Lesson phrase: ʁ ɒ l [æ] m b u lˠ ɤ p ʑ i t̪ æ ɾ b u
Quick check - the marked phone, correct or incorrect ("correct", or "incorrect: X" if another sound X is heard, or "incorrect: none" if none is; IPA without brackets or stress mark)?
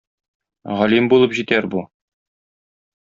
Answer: incorrect: i